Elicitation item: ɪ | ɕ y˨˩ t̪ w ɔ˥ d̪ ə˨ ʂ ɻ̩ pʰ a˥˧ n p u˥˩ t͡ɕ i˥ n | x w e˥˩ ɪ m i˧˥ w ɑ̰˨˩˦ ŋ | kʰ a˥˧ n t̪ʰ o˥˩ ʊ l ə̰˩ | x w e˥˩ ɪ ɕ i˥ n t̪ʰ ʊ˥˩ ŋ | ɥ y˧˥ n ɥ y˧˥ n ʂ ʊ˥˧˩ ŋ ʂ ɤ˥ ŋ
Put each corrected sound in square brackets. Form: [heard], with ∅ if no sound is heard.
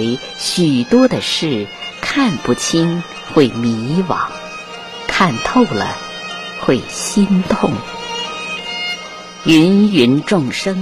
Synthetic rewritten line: ɪ | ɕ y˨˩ t̪ w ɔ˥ d̪ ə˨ ʂ ɻ̩ [kʰ] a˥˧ n p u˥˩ [t͡ɕʰ] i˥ n | x w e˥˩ ɪ m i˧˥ w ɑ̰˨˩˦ ŋ | kʰ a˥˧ n t̪ʰ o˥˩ ʊ l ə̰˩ | x w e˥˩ ɪ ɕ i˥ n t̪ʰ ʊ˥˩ ŋ | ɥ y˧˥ n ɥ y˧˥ n [ʈ͡ʂ] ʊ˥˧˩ ŋ ʂ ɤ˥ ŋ